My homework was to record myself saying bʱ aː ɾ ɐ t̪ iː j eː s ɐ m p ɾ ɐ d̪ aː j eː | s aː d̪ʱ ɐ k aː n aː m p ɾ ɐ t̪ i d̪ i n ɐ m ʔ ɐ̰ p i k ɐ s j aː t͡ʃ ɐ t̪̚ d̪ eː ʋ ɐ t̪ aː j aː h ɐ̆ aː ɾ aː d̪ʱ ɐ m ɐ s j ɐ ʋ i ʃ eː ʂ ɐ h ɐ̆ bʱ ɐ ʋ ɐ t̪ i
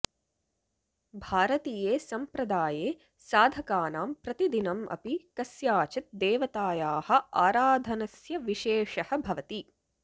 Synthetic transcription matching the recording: bʱ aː ɾ ɐ t̪ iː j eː s ɐ m p ɾ ɐ d̪ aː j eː | s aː d̪ʱ ɐ k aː n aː m p ɾ ɐ t̪ i d̪ i n ɐ m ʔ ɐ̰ p i k ɐ s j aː t͡ʃ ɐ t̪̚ d̪ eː ʋ ɐ t̪ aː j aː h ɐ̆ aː ɾ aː d̪ʱ ɐ n ɐ s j ɐ ʋ i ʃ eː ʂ ɐ h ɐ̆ bʱ ɐ ʋ ɐ t̪ i

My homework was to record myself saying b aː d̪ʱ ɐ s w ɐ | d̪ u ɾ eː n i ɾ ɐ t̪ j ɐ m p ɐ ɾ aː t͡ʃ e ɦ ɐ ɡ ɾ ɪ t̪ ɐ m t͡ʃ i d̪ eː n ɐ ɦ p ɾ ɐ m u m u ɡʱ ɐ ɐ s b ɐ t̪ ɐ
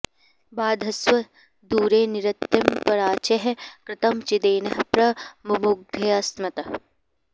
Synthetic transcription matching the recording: b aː d̪ʱ ɐ s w ɐ | d̪ uː ɾ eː n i ɾ ɐ t̪ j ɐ m p ɐ ɾ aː t͡ʃ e ɦ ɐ k ɾ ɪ t̪ ɐ m t͡ʃ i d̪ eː n ɐ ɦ p ɾ ɐ m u m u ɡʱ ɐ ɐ s m ɐ t̪ ɐ

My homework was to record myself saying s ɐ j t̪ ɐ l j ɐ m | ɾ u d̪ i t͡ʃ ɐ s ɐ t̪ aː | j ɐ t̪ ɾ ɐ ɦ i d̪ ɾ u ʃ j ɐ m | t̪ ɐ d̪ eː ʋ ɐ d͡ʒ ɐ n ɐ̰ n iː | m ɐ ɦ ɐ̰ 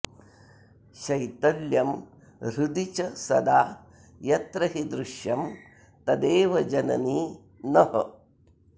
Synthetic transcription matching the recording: ʃ ɐ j t̪ ɐ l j ɐ m | ɾ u d̪ i t͡ʃ ɐ s ɐ d̪ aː | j ɐ t̪ ɾ ɐ ɦ i d̪ ɾ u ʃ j ɐ m | t̪ ɐ d̪ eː ʋ ɐ d͡ʒ ɐ n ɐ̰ n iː | n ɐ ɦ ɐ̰

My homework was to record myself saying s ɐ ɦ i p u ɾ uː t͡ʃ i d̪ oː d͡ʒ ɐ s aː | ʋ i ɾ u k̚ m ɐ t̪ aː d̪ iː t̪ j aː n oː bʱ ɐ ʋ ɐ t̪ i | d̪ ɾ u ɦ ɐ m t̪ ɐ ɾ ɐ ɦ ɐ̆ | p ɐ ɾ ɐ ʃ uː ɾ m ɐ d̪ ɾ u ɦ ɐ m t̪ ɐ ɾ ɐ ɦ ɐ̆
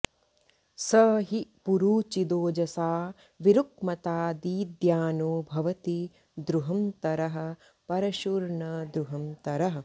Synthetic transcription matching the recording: s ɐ ɦ i p u ɾ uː t͡ʃ i d̪ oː d͡ʒ ɐ s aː | ʋ i ɾ u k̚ m ɐ t̪ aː d̪ iː d̪ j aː n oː bʱ ɐ ʋ ɐ t̪ i | d̪ ɾ u ɦ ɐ m t̪ ɐ ɾ ɐ ɦ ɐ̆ | p ɐ ɾ ɐ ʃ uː ɾ ɳ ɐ d̪ ɾ u ɦ ɐ m t̪ ɐ ɾ ɐ ɦ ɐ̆

